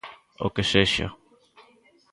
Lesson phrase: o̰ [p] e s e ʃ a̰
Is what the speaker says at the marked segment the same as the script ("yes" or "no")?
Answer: no